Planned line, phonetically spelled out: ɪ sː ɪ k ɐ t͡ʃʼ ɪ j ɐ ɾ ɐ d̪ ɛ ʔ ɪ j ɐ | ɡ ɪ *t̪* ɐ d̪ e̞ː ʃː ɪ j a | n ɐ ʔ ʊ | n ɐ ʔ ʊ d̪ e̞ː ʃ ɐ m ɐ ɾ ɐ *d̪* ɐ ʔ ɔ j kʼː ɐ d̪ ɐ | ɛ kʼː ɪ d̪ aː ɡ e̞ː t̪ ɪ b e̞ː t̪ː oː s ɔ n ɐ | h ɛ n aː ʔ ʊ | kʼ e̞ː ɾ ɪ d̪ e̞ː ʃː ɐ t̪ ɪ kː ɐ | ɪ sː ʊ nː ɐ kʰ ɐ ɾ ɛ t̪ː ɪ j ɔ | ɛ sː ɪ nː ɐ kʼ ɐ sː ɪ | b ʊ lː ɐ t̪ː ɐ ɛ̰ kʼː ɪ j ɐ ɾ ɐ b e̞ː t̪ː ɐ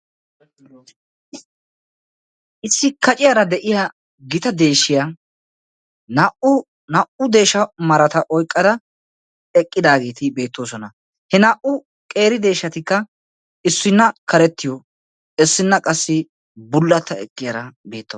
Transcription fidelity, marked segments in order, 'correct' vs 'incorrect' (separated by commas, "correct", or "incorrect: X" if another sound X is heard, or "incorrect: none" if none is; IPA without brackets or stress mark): correct, incorrect: t̪